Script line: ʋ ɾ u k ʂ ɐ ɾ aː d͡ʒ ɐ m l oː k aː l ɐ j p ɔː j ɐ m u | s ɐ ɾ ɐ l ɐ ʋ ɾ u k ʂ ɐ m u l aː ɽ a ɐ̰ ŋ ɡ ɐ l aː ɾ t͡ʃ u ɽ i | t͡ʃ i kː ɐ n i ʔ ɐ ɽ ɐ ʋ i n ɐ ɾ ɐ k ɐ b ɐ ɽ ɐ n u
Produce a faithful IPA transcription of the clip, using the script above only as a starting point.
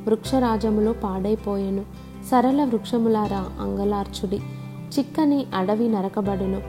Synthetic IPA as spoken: ʋ ɾ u k ʂ ɐ ɾ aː d͡ʒ ɐ m l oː p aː ɽ ɐ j p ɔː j ɐ n u | s ɐ ɾ ɐ l ɐ ʋ ɾ u k ʂ ɐ m u l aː ɾ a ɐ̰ ŋ ɡ ɐ l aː ɾ t͡ʃ u ɽ i | t͡ʃ i kː ɐ n i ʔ ɐ ɽ ɐ ʋ i n ɐ ɾ ɐ k ɐ b ɐ ɽ ɐ n u